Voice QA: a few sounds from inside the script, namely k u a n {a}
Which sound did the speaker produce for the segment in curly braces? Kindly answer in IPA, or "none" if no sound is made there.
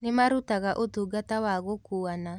a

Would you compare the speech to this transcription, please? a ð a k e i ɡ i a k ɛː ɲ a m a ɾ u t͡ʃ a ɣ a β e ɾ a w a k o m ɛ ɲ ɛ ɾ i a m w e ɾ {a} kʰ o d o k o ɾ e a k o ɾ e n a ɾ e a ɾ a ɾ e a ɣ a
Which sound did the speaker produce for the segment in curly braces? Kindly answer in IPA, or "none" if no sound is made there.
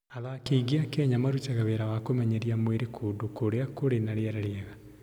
e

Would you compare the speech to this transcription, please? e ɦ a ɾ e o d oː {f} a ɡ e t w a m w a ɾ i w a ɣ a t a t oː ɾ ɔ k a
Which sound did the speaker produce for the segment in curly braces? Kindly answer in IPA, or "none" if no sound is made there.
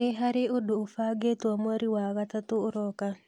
f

